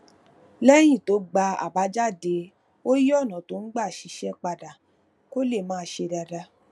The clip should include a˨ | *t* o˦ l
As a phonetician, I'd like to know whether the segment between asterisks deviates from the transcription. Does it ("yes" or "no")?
yes